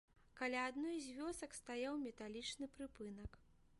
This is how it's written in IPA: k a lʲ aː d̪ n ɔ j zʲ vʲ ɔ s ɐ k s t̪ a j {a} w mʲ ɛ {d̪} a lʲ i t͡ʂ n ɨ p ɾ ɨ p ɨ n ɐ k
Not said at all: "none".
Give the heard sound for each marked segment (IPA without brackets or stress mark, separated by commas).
a, t̪